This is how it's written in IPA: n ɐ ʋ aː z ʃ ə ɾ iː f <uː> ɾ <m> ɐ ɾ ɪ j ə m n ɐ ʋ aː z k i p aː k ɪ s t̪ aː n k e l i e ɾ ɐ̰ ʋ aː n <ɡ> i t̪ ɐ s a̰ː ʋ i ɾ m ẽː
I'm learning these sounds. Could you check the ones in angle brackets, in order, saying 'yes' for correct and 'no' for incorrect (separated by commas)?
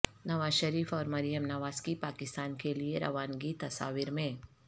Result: no, yes, yes